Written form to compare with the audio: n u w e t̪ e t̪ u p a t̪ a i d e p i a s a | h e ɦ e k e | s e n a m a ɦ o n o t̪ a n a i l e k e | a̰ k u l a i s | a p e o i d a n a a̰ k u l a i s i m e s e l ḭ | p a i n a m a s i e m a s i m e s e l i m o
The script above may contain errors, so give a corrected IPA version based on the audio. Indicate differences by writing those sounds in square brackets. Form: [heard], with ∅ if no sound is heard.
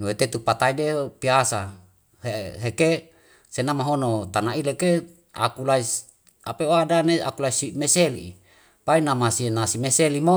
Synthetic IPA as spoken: n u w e t̪ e t̪ u p a t̪ a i d e p i a s a | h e ɦ e k e | s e n a m a ɦ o n o t̪ a n a i l e k e | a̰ k u l a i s | a p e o [a] d a n [e] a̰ k u l a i s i m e s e l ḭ | p a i n a m a s i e [n] a s i m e s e l i m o